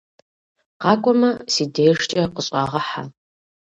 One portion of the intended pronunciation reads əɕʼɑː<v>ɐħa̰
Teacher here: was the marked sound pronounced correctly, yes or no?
no